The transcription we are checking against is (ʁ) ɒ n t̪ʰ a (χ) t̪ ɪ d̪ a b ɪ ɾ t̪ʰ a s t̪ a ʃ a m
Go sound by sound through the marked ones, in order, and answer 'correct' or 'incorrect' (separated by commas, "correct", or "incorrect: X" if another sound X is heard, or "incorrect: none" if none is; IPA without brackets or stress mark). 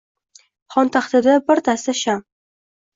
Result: incorrect: χ, correct